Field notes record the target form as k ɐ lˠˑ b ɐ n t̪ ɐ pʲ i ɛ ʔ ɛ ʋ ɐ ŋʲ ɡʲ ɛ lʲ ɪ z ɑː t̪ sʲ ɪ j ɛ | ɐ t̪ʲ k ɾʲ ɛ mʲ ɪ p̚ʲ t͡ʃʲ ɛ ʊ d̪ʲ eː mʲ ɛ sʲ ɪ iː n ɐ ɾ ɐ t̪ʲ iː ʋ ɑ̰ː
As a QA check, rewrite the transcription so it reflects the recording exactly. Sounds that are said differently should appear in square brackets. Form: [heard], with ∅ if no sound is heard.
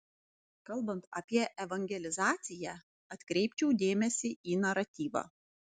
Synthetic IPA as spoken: k ɐ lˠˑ b ɐ n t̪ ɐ pʲ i ɛ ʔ ɛ ʋ ɐ ŋʲ ɡʲ ɛ lʲ ɪ z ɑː t̪ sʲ ɪ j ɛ | ɐ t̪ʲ k ɾʲ ɛ [∅] ɪ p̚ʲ t͡ʃʲ ɛ ʊ d̪ʲ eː mʲ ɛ sʲ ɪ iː n ɐ ɾ ɐ t̪ʲ iː ʋ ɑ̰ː